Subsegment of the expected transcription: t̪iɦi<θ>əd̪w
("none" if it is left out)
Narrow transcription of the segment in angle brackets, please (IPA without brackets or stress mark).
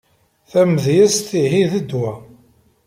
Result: ð